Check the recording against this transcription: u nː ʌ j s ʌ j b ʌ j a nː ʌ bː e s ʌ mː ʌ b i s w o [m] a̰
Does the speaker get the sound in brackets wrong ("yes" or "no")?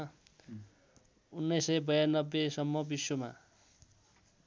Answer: no